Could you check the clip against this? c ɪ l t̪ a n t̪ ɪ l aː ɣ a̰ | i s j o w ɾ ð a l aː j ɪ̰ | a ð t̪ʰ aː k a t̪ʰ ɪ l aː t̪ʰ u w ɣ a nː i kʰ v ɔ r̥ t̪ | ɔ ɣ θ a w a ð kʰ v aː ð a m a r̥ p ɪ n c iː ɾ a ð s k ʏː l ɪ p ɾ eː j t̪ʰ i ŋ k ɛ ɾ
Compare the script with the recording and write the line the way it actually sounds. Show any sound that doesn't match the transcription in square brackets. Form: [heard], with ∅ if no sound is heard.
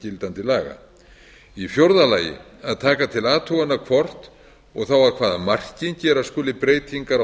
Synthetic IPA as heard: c ɪ l t̪ a n t̪ ɪ l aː ɣ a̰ | i [f] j o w ɾ ð a l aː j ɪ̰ | a ð t̪ʰ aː k a t̪ʰ ɪ l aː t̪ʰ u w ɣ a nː [a] kʰ v ɔ r̥ t̪ | ɔ ɣ θ a w a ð kʰ v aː ð a m a r̥ [c] ɪ n c [ɛː] ɾ a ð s k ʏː l ɪ p ɾ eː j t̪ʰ i ŋ k [a] ɾ

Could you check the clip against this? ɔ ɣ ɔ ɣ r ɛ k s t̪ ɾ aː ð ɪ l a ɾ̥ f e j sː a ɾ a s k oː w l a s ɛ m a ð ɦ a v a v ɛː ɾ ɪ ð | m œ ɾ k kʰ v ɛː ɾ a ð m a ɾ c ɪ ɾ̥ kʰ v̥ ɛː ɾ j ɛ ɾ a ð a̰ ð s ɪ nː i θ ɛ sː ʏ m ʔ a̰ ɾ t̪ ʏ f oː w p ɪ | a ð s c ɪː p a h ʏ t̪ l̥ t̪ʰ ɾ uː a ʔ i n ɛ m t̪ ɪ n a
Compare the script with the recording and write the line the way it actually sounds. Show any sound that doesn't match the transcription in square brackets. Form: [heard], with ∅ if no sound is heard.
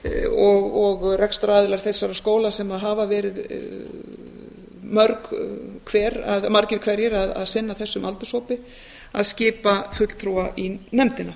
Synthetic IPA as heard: ɔ ɣ ɔ ɣ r ɛ k s t̪ ɾ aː ð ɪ l a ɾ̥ [θ] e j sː a ɾ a s k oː w l a s ɛ m a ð ɦ a v a v ɛː ɾ ɪ ð | m œ ɾ k kʰ v ɛː ɾ a ð m a ɾ c ɪ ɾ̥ kʰ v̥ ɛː ɾ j ɛ ɾ a ð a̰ ð s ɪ nː [a] θ ɛ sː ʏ m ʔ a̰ [l] t̪ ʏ [s] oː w p ɪ | a ð s c ɪː p a [f] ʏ t̪ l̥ t̪ʰ ɾ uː a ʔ i n ɛ m t̪ ɪ n a

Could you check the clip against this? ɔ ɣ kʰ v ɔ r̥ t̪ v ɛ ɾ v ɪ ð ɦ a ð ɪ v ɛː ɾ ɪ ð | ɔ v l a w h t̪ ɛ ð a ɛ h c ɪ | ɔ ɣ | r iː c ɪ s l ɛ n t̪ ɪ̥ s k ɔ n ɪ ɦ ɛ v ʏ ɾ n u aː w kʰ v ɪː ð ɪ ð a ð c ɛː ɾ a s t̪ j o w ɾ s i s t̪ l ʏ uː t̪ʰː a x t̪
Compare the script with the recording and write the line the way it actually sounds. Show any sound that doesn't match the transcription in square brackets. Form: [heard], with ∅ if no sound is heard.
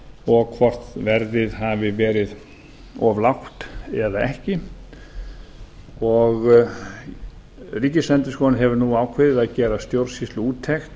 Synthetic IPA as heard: ɔ ɣ kʰ v ɔ r̥ t̪ v ɛ ɾ [ð] ɪ ð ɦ a [v] ɪ v ɛː ɾ ɪ ð | ɔ v l a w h t̪ ɛ ð a ɛ h c ɪ | ɔ ɣ | r iː c ɪ s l ɛ n t̪ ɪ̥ s k ɔ n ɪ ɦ ɛ v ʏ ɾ n u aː w kʰ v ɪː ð ɪ ð a ð c ɛː ɾ a s t̪ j o w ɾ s i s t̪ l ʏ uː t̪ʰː [ɛ] x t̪

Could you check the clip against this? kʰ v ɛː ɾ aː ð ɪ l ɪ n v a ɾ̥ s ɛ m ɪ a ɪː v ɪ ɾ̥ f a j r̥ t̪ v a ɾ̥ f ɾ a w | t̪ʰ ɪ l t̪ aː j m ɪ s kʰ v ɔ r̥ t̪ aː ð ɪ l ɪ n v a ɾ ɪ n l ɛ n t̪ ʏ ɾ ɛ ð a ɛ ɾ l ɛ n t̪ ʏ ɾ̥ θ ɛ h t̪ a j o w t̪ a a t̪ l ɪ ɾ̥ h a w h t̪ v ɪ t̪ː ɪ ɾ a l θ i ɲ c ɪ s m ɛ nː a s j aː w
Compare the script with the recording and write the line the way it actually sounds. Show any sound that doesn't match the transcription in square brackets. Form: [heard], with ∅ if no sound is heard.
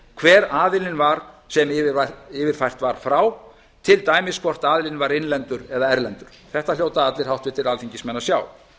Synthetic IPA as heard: kʰ v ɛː ɾ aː ð ɪ l ɪ n v a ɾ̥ s ɛ m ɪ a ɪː v ɪ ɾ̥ f a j r̥ t̪ v a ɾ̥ f ɾ a w | t̪ʰ ɪ l t̪ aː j m ɪ s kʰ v ɔ r̥ t̪ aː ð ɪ l ɪ n v a ɾ ɪ n l ɛ n t̪ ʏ ɾ ɛ ð a ɛ ɾ l ɛ n t̪ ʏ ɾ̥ θ ɛ h t̪ a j o w t̪ a a t̪ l ɪ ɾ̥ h a w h t̪ v ɪ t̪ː ɪ ɾ a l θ i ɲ c ɪ s m ɛ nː a s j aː w

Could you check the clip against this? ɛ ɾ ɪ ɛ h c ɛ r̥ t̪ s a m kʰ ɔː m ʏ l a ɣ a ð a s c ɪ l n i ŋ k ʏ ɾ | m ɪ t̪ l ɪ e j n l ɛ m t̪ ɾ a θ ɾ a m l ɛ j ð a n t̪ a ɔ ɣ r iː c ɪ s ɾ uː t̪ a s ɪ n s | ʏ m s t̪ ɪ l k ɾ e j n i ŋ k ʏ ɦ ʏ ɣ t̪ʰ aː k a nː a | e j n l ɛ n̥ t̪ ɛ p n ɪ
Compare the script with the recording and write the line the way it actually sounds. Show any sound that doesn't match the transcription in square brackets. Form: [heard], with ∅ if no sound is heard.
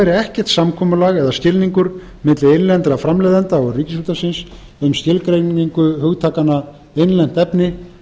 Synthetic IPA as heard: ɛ ɾ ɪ ɛ h c ɛ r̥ t̪ s a m kʰ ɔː m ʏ l a ɣ [ɛ] ð a s c ɪ l n i ŋ k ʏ ɾ | m ɪ t̪ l ɪ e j n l ɛ [n] t̪ ɾ a [f] ɾ a m l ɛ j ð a n t̪ a ɔ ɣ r iː c ɪ s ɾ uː t̪ a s ɪ n s | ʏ m s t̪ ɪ l k ɾ e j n i ŋ k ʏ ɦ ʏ ɣ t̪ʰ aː k a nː a | e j n l ɛ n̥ t̪ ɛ p n ɪ

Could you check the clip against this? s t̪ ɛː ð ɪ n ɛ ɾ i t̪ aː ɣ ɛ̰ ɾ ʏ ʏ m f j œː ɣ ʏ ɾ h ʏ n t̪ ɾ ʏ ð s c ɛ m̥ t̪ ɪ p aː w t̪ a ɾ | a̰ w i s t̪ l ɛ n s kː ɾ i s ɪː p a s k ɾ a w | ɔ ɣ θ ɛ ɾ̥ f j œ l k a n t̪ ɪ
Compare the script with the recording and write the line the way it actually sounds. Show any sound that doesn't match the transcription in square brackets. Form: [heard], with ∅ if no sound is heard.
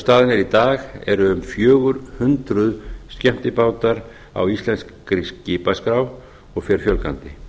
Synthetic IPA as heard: s t̪ [aː] ð ɪ n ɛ ɾ i t̪ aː ɣ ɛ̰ ɾ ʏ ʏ m f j œː ɣ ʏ ɾ h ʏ n t̪ ɾ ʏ ð s c ɛ m̥ t̪ ɪ p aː w t̪ a ɾ | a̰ w i s t̪ l ɛ n s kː ɾ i s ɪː p a s k ɾ a w | ɔ ɣ [f] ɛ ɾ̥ f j œ l k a n t̪ ɪ

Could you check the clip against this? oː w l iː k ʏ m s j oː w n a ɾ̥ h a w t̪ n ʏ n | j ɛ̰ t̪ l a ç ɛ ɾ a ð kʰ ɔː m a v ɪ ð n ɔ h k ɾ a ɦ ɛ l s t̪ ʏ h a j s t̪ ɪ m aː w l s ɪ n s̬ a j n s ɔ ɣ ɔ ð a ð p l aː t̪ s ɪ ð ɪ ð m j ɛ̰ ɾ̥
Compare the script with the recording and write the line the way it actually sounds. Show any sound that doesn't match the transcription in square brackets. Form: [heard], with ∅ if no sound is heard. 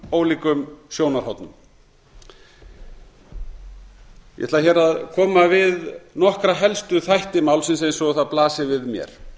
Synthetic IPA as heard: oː w l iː k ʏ m s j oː w n a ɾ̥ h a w t̪ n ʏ [m] | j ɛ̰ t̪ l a ç ɛ ɾ a ð kʰ ɔː m a v ɪ ð n ɔ h k ɾ a ɦ ɛ l s t̪ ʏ [θ] a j [h] t̪ ɪ m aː w l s ɪ n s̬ [e] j n s ɔ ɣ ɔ [θ] a ð p l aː [∅] s ɪ [v] ɪ ð m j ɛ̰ ɾ̥

